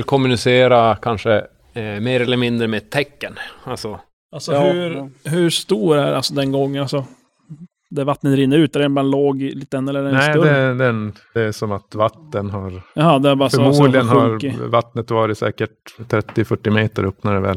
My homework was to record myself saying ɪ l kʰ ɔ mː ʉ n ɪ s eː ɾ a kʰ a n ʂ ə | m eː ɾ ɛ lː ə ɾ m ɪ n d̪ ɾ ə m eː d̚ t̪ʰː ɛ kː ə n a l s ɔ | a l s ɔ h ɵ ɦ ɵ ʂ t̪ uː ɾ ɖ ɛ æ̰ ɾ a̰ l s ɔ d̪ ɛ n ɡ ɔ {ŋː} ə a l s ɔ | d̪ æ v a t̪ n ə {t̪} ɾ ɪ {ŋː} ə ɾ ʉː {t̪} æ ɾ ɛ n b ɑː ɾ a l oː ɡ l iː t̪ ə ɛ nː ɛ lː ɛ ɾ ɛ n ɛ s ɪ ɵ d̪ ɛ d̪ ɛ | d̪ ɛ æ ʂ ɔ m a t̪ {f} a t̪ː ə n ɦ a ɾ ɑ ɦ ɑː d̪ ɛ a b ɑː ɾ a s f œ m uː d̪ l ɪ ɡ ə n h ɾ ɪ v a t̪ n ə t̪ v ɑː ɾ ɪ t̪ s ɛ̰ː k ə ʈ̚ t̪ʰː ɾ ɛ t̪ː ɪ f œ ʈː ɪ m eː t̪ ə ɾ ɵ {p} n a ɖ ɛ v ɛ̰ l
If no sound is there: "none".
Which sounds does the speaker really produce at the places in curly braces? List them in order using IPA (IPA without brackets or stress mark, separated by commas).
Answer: ŋː, t̪, nː, t̪, v, p